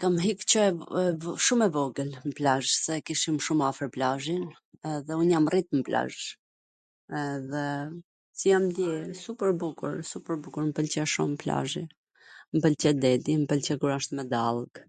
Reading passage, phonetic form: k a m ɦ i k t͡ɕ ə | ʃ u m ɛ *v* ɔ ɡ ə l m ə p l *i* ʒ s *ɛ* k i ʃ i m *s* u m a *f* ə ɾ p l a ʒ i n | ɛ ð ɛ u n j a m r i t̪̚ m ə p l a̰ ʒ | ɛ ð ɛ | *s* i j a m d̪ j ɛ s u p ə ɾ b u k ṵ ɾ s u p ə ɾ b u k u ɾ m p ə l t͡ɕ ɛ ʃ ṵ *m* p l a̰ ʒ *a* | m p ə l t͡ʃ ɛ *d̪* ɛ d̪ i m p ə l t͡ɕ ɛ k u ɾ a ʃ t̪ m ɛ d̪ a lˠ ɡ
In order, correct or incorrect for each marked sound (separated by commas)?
correct, incorrect, correct, incorrect, correct, correct, correct, incorrect, correct